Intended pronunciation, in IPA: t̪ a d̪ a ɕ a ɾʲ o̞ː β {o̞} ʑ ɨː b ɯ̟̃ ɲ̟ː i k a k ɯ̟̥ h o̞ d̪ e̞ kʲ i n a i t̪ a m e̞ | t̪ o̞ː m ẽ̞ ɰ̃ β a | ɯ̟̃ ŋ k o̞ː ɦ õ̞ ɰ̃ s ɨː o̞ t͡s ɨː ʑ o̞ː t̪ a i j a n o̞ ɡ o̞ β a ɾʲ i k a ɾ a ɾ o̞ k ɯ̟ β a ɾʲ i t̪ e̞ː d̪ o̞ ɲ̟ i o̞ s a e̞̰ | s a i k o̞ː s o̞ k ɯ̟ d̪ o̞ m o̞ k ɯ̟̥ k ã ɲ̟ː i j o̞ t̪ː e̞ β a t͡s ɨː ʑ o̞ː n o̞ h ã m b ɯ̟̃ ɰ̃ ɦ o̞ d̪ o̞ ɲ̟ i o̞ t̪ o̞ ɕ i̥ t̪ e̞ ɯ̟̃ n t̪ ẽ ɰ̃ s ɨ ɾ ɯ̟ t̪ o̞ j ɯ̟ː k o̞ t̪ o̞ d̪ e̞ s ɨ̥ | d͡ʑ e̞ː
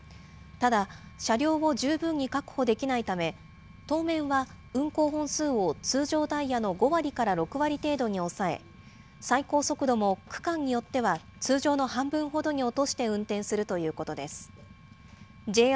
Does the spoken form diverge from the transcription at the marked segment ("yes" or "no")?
no